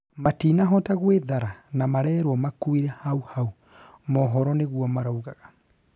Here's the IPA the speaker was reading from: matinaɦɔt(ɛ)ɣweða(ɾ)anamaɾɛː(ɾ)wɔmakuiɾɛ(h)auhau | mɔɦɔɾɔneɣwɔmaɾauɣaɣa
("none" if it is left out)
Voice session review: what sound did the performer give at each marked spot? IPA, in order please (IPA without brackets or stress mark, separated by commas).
a, ɾ, ɾ, h